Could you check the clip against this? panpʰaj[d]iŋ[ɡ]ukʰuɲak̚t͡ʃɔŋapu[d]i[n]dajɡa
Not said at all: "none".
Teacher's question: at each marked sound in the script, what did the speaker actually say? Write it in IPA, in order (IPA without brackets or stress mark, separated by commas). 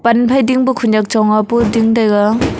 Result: d, b, d, ŋ